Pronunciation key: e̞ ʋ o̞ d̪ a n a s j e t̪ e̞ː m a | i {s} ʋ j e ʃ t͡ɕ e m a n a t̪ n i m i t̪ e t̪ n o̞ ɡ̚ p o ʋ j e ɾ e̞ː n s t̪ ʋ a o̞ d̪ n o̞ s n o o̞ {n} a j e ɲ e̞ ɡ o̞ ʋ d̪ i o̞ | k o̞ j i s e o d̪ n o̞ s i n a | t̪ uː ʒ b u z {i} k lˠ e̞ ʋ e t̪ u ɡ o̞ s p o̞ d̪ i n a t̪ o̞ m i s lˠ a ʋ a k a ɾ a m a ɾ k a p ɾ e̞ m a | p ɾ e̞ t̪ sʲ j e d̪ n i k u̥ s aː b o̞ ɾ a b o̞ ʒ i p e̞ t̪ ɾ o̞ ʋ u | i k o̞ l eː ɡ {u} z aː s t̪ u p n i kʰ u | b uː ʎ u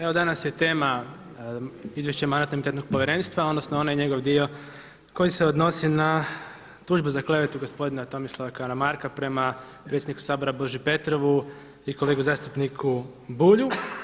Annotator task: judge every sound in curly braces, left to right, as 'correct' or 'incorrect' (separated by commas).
incorrect, correct, incorrect, correct